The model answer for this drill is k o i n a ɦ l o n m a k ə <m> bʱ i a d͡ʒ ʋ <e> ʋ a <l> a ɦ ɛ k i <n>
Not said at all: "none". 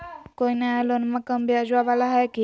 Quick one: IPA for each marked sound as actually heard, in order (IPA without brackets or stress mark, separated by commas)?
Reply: m, a, l, none